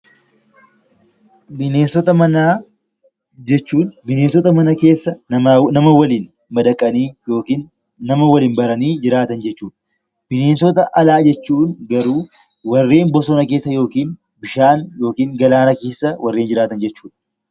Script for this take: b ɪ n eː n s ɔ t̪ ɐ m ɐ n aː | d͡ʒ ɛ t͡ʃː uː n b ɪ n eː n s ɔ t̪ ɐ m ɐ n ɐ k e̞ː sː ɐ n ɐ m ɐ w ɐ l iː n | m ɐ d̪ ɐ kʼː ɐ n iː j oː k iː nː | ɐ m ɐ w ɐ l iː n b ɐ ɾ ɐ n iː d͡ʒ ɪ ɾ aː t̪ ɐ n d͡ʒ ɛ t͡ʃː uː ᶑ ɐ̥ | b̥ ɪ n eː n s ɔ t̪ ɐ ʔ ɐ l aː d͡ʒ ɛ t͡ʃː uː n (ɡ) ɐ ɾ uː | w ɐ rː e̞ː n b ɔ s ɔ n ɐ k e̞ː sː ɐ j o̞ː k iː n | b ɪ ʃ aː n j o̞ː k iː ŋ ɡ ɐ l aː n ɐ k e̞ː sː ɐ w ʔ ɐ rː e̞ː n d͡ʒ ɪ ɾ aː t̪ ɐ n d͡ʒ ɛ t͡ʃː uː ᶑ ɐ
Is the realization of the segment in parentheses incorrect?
no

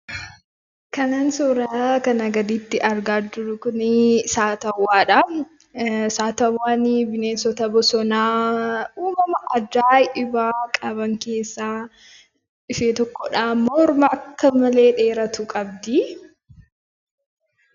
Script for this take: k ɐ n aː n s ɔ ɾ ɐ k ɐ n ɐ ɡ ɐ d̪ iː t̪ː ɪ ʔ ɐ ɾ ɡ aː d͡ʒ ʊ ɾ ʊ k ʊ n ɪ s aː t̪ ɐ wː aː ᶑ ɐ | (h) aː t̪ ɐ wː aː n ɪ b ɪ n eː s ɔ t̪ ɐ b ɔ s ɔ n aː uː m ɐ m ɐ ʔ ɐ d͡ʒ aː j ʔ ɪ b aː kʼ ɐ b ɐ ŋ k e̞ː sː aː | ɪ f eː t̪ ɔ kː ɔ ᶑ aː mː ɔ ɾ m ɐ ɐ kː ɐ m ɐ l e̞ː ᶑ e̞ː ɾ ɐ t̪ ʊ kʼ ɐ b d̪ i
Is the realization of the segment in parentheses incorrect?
yes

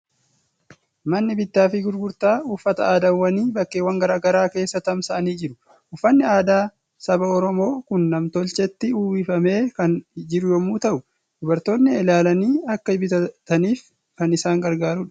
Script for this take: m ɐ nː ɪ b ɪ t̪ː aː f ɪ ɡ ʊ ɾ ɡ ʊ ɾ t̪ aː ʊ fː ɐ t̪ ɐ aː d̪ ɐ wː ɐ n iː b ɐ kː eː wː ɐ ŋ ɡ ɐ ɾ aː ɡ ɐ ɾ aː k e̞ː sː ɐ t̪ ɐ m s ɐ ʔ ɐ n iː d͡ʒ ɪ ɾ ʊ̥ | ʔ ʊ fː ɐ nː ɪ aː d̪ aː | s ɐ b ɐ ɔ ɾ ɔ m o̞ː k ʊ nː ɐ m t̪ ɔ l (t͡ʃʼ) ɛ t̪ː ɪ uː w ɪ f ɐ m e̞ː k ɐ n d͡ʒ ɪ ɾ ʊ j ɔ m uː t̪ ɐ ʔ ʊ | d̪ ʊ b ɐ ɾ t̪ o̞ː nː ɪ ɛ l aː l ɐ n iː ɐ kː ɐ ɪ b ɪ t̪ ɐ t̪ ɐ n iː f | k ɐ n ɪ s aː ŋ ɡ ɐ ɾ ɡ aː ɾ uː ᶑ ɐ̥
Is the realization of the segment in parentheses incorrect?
yes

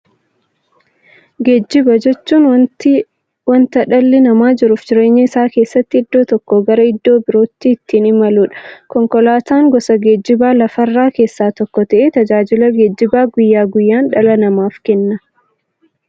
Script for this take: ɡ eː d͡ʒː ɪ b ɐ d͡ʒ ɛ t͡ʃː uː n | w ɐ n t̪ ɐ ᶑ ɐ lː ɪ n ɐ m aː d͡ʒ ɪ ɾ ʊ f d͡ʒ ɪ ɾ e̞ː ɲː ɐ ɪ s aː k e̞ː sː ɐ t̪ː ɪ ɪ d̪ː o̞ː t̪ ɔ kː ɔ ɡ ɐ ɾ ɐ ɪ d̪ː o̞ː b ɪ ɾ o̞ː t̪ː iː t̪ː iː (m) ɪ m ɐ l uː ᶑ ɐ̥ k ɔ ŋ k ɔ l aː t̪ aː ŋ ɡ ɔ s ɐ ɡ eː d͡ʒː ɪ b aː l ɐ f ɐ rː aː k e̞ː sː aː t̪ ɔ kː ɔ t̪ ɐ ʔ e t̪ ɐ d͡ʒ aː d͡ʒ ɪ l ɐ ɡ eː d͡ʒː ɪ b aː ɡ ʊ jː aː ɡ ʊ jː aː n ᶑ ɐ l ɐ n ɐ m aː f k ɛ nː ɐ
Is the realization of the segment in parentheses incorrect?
yes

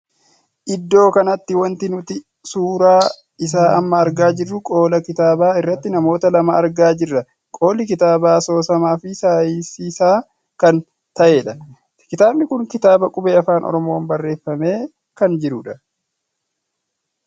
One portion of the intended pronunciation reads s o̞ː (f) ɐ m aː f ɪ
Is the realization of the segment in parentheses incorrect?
yes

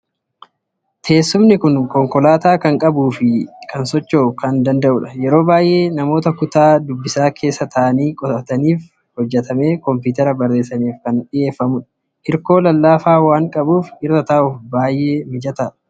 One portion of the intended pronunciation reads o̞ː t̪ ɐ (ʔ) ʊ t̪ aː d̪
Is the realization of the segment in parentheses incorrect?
yes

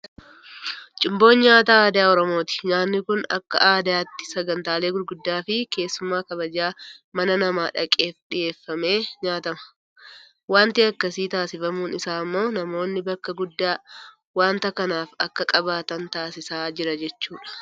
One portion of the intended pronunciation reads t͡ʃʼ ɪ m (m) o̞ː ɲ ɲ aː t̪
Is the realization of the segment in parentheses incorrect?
yes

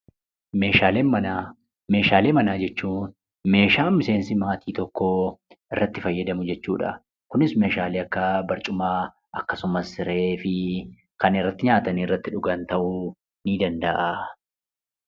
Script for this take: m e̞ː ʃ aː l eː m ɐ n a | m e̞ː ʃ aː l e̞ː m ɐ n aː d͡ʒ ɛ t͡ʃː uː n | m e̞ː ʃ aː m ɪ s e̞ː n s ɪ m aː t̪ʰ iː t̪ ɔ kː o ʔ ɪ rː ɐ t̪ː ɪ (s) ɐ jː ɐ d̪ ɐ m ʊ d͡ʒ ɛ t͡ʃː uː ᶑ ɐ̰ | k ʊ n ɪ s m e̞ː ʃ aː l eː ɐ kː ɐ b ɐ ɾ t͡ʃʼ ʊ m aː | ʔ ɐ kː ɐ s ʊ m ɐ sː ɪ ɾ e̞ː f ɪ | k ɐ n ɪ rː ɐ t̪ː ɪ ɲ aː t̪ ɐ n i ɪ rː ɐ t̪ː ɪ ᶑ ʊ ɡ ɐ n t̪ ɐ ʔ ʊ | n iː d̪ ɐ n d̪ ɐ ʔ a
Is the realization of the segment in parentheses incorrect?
yes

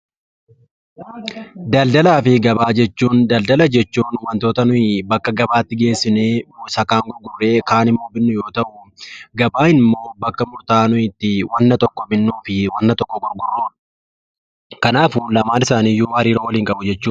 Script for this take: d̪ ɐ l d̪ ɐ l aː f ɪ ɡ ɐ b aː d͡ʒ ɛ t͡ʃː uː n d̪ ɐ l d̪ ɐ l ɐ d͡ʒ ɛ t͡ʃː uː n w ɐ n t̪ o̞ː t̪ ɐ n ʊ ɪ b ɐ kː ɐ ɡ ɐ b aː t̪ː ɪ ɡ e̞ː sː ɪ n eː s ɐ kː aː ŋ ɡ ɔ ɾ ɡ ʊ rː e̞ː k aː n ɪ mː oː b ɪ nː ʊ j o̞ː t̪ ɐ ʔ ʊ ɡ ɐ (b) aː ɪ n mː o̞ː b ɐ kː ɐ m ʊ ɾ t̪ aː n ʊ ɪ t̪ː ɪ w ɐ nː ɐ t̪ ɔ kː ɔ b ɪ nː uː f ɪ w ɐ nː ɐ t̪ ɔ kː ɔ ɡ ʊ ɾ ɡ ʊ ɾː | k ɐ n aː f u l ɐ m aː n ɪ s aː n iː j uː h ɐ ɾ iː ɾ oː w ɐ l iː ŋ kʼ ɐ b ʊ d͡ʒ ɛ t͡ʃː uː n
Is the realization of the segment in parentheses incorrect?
no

